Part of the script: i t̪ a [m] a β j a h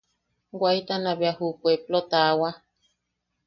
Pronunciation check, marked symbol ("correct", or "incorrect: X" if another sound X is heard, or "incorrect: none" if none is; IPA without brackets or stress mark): incorrect: n